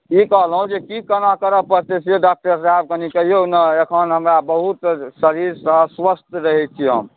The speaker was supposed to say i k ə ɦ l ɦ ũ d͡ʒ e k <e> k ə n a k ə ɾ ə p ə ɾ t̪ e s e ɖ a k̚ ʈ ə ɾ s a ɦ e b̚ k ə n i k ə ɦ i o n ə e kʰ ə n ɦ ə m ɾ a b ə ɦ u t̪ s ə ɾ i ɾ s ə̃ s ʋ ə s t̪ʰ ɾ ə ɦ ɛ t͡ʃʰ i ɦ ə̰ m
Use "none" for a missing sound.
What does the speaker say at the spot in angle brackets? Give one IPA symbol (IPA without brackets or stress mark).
i